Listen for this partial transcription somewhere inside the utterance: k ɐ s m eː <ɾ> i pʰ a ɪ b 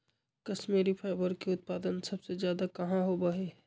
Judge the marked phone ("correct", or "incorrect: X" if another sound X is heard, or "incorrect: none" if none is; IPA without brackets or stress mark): correct